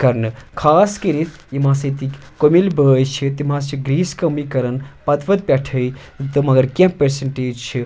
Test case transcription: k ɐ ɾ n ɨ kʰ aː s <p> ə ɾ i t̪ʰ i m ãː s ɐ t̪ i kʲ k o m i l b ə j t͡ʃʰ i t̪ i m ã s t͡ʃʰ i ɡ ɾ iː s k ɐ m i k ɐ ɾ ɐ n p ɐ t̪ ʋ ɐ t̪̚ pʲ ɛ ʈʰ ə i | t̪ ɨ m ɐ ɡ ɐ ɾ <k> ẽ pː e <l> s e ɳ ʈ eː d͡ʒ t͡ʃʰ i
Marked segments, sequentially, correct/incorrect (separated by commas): incorrect, correct, incorrect